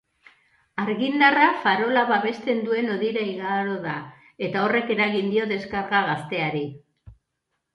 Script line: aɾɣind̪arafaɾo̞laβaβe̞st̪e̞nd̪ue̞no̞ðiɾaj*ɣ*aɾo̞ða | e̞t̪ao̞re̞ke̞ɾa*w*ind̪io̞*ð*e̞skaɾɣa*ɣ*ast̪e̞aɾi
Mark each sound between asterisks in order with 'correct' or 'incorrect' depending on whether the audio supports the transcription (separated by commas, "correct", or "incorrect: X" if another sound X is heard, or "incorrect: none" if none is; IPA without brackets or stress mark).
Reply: correct, incorrect: ɣ, correct, correct